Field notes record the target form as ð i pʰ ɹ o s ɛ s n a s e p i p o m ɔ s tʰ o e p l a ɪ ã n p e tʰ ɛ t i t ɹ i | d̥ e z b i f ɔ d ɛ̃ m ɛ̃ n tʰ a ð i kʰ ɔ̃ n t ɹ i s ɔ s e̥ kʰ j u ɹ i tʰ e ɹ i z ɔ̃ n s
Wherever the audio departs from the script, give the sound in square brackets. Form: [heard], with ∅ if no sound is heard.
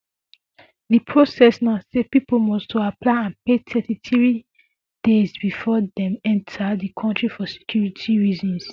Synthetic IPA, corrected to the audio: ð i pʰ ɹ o s ɛ s n a s e p i p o m ɔ s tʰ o [a] p l a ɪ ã n p e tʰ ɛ t i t ɹ i | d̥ e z b i f ɔ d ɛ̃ m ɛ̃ n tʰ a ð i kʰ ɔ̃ n t ɹ i [f] ɔ s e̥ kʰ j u ɹ i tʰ [i] ɹ i z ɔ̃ n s